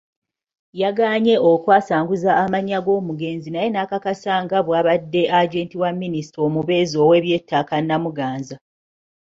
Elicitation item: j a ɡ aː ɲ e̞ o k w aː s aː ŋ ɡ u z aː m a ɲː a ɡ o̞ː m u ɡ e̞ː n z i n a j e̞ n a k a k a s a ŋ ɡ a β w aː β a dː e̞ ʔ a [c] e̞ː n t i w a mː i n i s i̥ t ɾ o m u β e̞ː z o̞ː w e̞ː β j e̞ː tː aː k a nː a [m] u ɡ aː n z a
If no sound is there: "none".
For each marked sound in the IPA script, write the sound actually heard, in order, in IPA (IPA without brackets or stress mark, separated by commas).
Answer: ɟ, m